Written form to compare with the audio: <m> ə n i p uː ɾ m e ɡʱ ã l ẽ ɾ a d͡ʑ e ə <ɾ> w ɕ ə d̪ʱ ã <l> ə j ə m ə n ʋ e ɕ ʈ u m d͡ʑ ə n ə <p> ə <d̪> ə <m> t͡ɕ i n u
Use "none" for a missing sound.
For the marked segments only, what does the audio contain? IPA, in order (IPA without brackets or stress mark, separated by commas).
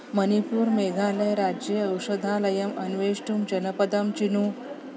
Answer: m, none, l, p, d̪, m